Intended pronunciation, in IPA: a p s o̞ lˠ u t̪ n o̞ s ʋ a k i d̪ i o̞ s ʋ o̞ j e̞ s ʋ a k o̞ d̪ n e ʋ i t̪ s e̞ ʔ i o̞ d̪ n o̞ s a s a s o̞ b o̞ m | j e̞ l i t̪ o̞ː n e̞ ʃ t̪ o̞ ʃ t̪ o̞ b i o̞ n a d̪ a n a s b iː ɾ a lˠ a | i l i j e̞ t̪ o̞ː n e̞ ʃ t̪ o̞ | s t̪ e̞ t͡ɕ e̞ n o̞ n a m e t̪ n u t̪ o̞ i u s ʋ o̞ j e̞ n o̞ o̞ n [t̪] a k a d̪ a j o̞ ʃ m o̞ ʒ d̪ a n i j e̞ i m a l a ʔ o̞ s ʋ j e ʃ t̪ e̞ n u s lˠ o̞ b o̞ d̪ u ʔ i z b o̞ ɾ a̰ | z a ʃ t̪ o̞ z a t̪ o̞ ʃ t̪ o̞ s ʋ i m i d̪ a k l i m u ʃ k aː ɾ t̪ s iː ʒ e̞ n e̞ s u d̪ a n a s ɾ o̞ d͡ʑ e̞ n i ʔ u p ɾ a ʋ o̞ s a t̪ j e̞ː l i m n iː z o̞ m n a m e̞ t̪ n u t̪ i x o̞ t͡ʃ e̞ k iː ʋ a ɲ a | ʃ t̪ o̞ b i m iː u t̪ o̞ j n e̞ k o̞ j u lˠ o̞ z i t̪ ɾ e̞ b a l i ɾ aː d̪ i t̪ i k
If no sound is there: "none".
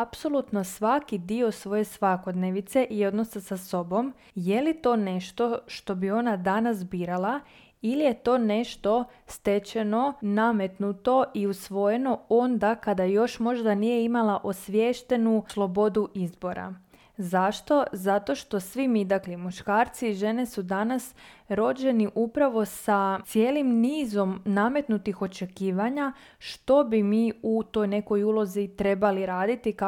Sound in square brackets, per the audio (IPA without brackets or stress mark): d̪